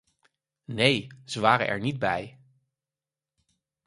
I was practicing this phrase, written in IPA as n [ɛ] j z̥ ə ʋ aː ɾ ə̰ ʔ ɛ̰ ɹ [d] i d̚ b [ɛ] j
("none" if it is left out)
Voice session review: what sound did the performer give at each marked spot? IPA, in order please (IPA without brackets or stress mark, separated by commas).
e, n, ɛ